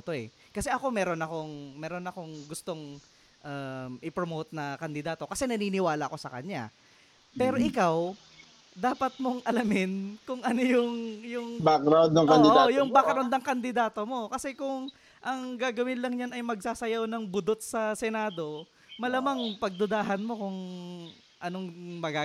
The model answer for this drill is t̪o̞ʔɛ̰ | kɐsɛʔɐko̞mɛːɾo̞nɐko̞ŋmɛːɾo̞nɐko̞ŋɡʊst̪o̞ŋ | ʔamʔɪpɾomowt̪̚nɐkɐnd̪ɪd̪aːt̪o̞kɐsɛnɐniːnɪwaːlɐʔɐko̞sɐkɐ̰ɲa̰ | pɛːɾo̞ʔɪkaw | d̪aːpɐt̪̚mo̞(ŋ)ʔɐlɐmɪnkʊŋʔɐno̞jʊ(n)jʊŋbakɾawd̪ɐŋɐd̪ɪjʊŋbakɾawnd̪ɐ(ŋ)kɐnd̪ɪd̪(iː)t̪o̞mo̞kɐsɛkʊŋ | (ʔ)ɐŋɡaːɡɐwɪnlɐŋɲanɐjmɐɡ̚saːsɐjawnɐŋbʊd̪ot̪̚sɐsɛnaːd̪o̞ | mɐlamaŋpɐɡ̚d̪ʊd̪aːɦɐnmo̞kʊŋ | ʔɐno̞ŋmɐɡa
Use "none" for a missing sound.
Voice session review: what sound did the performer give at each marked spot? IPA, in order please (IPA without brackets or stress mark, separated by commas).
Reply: ŋ, ŋ, ŋ, aː, ʔ